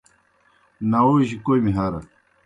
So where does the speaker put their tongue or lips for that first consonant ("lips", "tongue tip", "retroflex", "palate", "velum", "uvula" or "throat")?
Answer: tongue tip